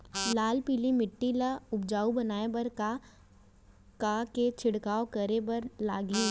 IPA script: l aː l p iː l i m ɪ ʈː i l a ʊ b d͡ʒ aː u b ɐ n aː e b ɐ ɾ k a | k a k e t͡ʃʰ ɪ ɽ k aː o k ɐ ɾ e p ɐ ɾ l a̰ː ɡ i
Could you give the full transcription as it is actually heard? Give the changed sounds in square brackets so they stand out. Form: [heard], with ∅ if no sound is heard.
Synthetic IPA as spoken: l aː l p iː l i m ɪ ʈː i l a ʊ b d͡ʒ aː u b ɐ n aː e b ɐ ɾ k a | k a k e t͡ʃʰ ɪ ɽ k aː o k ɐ ɾ e [b] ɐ ɾ l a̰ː ɡ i